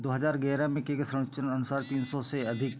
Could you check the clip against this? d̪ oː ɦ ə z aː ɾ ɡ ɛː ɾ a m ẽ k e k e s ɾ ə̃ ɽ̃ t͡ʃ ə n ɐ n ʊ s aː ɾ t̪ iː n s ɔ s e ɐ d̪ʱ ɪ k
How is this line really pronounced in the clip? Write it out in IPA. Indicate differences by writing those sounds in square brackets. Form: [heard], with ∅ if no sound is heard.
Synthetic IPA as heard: d̪ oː ɦ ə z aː ɾ ɡ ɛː ɾ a m ẽ k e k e s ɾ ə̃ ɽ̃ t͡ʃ ə n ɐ n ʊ s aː ɾ t̪ iː n s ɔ s e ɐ d̪ʱ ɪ k